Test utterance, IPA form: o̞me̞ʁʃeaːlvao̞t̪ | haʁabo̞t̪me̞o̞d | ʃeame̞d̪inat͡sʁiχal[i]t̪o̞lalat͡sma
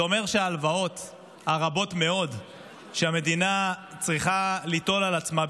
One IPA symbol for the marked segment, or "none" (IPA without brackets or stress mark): i